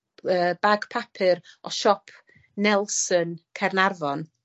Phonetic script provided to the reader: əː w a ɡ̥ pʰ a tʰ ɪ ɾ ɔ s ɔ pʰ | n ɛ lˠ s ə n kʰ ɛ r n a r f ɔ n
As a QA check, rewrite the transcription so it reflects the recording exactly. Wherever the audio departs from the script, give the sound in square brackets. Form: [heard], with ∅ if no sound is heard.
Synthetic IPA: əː [b] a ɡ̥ pʰ a [pʰ] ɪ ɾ ɔ [ʃ] ɔ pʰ | n ɛ lˠ s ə n kʰ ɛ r n a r [v] ɔ n